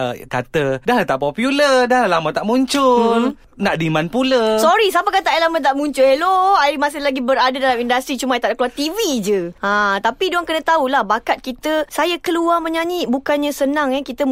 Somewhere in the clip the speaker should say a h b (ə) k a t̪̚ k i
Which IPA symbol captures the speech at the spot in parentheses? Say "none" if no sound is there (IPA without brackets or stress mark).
a